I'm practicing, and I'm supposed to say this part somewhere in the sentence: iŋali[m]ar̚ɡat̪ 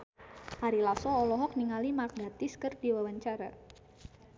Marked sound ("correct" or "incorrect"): correct